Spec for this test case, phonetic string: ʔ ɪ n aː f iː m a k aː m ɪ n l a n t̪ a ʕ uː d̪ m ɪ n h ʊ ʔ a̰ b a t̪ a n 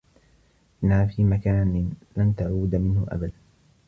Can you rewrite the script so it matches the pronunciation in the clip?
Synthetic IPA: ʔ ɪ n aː f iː m a k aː n ɪ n l a n t̪ a ʕ uː d̪ m ɪ n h ʊ ʔ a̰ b a d̪ a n